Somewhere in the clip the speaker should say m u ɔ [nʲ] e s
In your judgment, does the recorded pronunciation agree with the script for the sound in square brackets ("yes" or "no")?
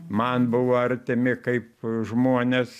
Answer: yes